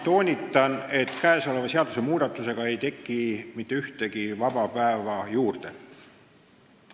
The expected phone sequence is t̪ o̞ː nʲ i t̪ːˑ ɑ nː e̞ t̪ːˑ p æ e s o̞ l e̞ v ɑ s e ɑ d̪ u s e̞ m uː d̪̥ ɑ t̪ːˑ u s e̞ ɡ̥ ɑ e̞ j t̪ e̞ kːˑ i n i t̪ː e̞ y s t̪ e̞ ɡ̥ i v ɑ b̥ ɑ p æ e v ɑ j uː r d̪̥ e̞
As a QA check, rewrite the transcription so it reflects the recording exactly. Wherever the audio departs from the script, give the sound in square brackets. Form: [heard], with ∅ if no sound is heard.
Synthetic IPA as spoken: t̪ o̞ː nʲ i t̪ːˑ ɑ [n] e̞ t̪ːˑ [k] æ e s o̞ l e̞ v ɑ s e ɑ d̪ u s e̞ m uː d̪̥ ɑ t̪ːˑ u s e̞ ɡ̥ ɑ e̞ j t̪ e̞ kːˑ i [m] i t̪ː e̞ y [h] t̪ e̞ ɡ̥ i v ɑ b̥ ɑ p æ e v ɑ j uː r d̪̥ e̞